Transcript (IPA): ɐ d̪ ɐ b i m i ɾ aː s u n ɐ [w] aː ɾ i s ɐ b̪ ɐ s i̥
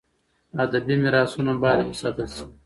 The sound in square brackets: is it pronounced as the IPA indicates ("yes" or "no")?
no